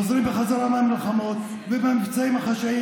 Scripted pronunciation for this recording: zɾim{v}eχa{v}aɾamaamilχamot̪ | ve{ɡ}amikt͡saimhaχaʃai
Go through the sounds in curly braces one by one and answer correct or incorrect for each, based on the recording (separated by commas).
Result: incorrect, incorrect, incorrect